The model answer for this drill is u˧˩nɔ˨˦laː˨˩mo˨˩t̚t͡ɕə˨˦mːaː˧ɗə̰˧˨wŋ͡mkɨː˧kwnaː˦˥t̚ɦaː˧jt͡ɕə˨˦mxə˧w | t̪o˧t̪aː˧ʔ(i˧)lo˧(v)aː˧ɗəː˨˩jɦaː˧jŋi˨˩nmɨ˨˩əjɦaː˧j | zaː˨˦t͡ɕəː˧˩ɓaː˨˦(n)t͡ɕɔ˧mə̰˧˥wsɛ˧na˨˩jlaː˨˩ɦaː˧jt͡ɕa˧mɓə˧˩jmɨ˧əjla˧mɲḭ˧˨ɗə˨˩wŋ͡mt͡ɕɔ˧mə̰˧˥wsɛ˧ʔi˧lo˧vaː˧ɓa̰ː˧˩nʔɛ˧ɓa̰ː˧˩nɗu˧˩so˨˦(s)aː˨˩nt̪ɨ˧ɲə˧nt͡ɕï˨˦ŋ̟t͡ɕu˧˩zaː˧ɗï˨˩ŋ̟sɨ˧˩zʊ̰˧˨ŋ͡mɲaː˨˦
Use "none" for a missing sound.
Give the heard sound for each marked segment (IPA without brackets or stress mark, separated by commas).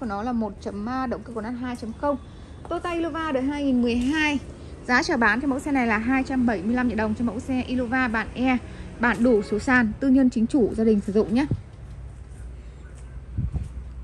i˧, v, n, s